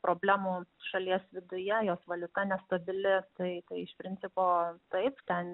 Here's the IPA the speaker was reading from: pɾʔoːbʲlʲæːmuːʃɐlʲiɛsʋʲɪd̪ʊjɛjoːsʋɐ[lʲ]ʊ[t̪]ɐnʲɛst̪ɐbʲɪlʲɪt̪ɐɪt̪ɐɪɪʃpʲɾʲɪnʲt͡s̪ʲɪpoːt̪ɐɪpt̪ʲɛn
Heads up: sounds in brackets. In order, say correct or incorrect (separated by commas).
correct, correct